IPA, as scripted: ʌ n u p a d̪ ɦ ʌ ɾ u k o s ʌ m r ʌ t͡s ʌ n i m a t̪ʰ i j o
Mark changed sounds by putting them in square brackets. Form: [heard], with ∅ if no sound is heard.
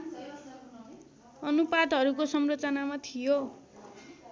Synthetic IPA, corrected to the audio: ʌ n u p a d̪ ɦ ʌ ɾ u k o s ʌ m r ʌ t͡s ʌ n [a] m a t̪ʰ i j o